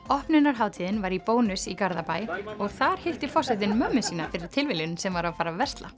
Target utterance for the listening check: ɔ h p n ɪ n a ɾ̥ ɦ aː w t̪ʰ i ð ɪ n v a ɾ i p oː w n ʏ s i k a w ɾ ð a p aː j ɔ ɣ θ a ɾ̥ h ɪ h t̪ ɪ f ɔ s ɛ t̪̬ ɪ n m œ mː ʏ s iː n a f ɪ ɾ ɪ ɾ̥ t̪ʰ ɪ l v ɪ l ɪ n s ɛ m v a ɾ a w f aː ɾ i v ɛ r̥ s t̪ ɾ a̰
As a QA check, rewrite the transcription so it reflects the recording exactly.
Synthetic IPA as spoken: ɔ h p n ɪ n a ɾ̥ ɦ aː w t̪ʰ i ð ɪ n v a ɾ i p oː w n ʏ s i k a ɾ ð a p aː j ɔ ɣ θ a ɾ̥ h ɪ h t̪ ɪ f ɔ s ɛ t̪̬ ɪ n m œ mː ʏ s iː n a f ɪ ɾ ɪ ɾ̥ t̪ʰ ɪ l v ɪ l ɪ n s ɛ m v a ɾ a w f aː ɾ a v ɛ r̥ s t̪ l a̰